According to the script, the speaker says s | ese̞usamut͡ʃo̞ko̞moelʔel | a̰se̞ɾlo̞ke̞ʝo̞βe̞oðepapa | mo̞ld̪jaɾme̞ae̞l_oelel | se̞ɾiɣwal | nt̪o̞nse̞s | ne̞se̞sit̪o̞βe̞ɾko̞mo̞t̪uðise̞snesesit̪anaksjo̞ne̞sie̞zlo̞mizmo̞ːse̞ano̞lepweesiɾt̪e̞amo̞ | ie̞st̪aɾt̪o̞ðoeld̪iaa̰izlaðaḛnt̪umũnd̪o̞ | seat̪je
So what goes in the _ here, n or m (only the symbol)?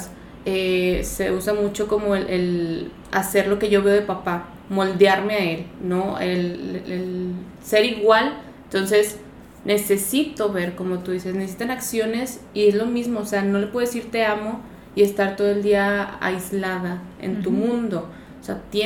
n